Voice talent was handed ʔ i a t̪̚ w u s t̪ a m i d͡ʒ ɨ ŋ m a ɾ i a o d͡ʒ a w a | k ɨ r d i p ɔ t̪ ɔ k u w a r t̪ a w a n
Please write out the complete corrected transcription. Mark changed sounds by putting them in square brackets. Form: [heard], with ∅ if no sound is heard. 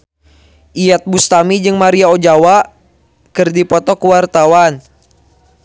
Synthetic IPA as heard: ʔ i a t̪̚ [b] u s t̪ a m i d͡ʒ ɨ ŋ m a ɾ i a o d͡ʒ a w a | k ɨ r d i p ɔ t̪ ɔ k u w a r t̪ a w a n